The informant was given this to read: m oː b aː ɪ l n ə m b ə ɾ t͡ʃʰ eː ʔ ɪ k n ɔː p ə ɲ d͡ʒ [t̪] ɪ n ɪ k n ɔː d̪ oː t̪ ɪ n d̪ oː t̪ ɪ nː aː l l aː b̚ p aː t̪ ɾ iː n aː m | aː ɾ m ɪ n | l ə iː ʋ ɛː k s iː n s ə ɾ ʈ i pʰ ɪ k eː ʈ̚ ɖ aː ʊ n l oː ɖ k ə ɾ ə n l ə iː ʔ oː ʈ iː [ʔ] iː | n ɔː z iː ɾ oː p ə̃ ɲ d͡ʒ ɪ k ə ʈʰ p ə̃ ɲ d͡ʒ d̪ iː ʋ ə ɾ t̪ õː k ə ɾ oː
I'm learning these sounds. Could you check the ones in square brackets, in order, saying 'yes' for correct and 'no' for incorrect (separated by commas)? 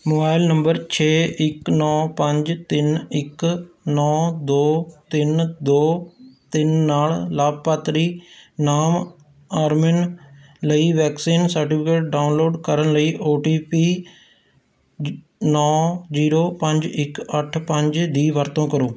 yes, no